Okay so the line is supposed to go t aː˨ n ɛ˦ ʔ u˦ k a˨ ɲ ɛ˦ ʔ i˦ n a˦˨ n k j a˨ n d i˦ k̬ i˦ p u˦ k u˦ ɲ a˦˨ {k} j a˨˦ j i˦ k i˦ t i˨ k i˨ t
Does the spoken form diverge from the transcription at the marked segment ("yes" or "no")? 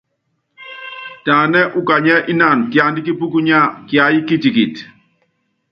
no